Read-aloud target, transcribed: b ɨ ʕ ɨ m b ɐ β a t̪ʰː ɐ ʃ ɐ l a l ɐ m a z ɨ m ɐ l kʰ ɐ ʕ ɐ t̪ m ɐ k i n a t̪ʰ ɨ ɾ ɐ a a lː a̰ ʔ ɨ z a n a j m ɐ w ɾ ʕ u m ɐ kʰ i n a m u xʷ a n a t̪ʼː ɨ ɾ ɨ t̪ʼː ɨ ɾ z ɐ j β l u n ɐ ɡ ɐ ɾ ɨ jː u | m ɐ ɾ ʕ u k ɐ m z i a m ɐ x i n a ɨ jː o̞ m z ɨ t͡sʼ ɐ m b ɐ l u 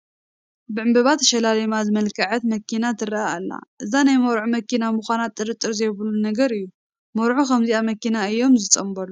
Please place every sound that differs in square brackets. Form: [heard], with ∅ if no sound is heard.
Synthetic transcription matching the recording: b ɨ ʕ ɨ m b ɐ β a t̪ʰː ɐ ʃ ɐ l a l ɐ m a z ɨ m ɐ l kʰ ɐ ʕ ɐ t̪ m ɐ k i n a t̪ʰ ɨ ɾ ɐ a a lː a̰ ʔ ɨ z a n a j m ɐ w ɾ ʕ u m ɐ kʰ i n a m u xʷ a n a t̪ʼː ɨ ɾ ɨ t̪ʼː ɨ ɾ z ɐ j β l u n ɐ ɡ ɐ ɾ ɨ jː u | m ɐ ɾ ʕ u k ɐ m z i a m ɐ [k] i n a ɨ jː o̞ m z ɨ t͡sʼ ɐ m b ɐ l u